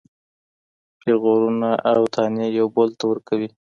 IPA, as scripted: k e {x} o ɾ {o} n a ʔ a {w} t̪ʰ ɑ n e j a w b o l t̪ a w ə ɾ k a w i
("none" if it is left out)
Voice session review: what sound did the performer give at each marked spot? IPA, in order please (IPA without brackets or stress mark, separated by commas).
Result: ɣ, u, w